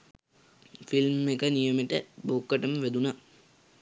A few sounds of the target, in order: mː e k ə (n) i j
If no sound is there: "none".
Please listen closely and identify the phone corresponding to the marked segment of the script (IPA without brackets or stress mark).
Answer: n